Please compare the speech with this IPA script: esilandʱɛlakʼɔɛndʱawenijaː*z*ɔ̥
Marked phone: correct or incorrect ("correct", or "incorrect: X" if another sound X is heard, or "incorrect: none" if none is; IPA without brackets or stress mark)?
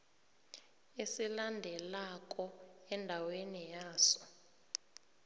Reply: incorrect: s